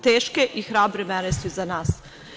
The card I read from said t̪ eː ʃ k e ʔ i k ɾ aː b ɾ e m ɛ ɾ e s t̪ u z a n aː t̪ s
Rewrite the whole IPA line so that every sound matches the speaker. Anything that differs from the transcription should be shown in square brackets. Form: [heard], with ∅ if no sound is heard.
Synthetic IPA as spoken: t̪ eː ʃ k e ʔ i [x] ɾ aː b ɾ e m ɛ ɾ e s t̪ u z a n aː [∅] s